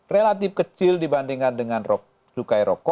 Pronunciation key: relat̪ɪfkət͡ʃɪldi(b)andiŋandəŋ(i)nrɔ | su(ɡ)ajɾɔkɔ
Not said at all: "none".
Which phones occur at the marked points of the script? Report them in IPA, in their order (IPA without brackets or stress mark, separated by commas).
b, a, k